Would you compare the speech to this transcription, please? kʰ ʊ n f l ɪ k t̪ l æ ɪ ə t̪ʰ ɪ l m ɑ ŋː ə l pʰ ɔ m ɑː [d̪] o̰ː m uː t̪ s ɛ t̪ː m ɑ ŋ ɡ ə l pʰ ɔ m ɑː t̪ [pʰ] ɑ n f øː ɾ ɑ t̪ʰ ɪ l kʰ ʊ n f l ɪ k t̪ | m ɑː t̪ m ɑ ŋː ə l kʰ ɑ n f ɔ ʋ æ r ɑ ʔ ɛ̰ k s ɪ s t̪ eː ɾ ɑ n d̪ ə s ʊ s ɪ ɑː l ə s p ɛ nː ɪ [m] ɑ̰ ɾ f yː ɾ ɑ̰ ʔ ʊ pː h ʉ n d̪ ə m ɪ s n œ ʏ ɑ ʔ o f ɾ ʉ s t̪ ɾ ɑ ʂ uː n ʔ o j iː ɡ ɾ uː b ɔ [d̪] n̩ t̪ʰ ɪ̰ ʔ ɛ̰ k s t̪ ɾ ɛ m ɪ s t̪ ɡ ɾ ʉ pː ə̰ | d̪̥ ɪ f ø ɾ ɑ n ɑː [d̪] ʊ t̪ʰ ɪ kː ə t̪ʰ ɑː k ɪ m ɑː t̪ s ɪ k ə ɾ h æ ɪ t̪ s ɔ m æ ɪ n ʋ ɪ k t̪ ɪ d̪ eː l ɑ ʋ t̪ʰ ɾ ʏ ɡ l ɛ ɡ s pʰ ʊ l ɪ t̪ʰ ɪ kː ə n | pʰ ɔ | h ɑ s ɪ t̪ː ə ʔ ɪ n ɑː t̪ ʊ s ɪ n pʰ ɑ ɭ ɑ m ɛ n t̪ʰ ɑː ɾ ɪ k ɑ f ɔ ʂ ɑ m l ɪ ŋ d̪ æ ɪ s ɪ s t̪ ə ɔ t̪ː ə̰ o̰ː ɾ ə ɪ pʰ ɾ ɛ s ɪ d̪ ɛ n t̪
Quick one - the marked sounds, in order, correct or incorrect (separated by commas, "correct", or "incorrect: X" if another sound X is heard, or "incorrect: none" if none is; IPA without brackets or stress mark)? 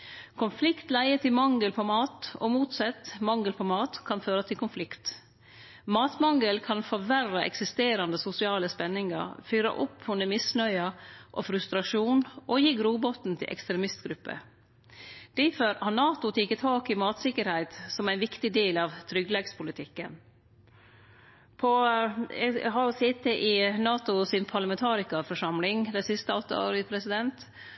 incorrect: t̪, incorrect: kʰ, incorrect: ŋ, incorrect: t̪, incorrect: t̪